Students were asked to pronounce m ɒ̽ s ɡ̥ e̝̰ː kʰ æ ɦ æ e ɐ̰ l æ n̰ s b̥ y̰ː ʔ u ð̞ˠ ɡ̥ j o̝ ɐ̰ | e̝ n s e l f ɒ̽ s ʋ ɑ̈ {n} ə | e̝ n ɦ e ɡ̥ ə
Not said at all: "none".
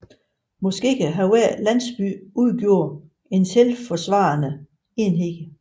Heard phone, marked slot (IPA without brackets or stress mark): n